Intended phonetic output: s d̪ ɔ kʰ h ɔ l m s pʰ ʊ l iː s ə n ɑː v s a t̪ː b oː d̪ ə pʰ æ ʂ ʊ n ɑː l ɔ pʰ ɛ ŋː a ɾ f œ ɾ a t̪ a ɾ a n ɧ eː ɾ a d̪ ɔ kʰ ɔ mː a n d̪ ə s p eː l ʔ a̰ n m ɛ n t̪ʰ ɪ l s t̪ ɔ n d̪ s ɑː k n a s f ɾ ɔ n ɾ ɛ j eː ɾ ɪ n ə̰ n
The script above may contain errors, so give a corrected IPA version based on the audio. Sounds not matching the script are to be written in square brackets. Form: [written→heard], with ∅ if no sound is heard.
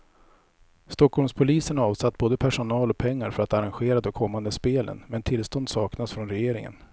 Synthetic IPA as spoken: s [d̪→t̪] ɔ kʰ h ɔ l m s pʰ ʊ l iː s ə n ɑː v s a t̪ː b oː d̪ ə pʰ æ ʂ ʊ n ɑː l ɔ pʰ ɛ ŋː a ɾ f œ ɾ a t̪ a ɾ a n ɧ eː ɾ a d̪ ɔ kʰ ɔ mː a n d̪ ə s p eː l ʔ [a̰→ə̰] n m ɛ n t̪ʰ ɪ l s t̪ ɔ n d̪ s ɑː k n a s f ɾ ɔ n ɾ ɛ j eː ɾ ɪ [n→ŋ] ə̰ n